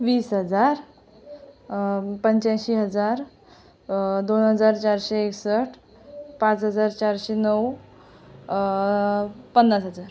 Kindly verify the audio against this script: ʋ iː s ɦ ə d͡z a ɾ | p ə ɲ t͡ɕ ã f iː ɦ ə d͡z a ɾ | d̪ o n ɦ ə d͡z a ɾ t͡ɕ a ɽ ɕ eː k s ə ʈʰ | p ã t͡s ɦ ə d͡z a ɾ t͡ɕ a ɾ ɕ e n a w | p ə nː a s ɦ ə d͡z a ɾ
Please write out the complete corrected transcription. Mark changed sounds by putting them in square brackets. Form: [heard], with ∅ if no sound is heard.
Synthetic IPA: ʋ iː s ɦ ə d͡z a ɾ | p ə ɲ t͡ɕ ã [ɕ] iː ɦ ə d͡z a ɾ | d̪ o n ɦ ə d͡z a ɾ t͡ɕ a [ɾ] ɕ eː k s ə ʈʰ | p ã t͡s ɦ ə d͡z a ɾ t͡ɕ a ɾ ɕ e n [ə] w | p ə nː a s ɦ ə d͡z a ɾ

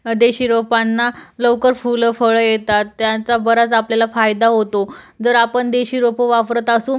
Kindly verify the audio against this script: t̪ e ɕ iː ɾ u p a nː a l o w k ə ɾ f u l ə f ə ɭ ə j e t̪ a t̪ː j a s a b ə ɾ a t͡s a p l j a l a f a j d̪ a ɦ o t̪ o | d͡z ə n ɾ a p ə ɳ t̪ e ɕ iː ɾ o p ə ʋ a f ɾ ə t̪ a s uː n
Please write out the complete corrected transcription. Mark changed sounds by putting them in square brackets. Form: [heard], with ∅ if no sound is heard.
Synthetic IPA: [d̪] e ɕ iː ɾ [o] p a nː a l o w k ə ɾ f u l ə f ə ɭ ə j e t̪ a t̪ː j a [t͡s] a b ə ɾ a t͡s a p l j a l a f a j d̪ a ɦ o t̪ o | d͡z ə [∅] ɾ a p ə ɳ [d̪] e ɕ iː ɾ o p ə ʋ a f ɾ ə t̪ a s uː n

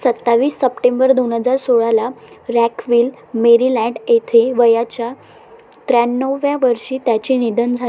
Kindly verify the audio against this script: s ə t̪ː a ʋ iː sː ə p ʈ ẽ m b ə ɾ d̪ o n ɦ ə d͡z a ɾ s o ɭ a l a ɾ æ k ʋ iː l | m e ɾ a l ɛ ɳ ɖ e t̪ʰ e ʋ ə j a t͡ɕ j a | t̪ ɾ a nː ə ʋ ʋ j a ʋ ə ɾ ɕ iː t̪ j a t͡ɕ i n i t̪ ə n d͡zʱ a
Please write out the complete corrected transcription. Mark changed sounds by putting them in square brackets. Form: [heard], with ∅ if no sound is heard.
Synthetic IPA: s ə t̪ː a ʋ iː sː ə p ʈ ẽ m b ə ɾ d̪ o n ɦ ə d͡z a ɾ s o ɭ a l a ɾ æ k ʋ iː l | m e ɾ [i] l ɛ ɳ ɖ e t̪ʰ e ʋ ə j a t͡ɕ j a | t̪ ɾ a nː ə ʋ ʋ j a ʋ ə ɾ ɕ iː t̪ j a t͡ɕ i n i [d̪] ə n d͡zʱ a

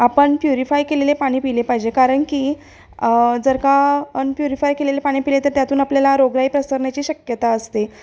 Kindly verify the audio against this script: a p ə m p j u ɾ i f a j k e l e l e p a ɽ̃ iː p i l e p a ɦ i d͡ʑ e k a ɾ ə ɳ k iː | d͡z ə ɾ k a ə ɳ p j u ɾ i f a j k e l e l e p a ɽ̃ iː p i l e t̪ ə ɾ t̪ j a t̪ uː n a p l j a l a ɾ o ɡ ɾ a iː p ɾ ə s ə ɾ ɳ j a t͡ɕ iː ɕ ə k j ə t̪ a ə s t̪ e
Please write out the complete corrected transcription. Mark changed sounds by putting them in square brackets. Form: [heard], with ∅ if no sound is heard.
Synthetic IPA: a p ə [ɳ] p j u ɾ i f a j k e l e l e p a ɽ̃ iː p i l e p a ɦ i d͡ʑ e k a ɾ ə ɳ k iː | d͡z ə ɾ k a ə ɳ p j u ɾ i f a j k e l e l e p a ɽ̃ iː p i l e t̪ ə ɾ t̪ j a t̪ uː n a p l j a l a ɾ o ɡ ɾ a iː p ɾ ə s ə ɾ ɳ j a t͡ɕ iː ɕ ə k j ə t̪ a ə s t̪ e

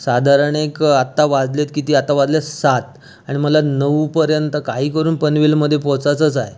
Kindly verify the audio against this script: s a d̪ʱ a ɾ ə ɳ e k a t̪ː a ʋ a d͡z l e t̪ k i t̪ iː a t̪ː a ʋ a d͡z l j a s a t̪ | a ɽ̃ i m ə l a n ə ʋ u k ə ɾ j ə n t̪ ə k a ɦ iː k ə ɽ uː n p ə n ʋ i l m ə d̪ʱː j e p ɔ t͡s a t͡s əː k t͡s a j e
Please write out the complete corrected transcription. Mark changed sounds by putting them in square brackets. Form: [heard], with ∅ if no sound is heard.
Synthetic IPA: s a d̪ʱ a ɾ ə ɳ e k a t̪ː a ʋ a d͡z l e t̪ k i t̪ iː a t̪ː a ʋ a d͡z l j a s a t̪ | a ɽ̃ i m ə l a n ə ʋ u [p] ə ɾ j ə n t̪ ə k a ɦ iː k ə [ɾ] uː n p ə n ʋ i l m ə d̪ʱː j e p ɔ t͡s a t͡s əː [∅] t͡s a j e

